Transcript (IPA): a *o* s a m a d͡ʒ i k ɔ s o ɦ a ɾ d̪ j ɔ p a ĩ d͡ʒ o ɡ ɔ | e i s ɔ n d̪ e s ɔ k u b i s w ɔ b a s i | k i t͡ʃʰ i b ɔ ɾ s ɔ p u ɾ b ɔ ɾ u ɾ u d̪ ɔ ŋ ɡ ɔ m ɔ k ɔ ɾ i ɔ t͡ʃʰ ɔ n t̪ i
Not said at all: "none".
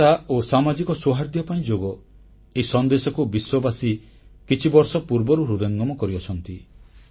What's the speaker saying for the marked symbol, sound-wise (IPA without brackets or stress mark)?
o